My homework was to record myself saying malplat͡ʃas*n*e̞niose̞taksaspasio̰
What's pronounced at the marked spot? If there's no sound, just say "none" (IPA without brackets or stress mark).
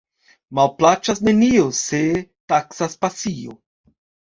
n